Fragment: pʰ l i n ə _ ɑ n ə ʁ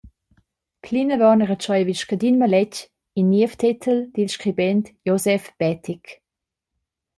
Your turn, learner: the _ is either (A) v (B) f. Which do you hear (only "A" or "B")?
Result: A